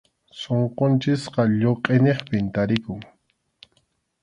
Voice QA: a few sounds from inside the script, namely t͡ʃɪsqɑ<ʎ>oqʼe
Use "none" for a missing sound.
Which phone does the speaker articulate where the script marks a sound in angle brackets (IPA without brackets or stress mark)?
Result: ʎ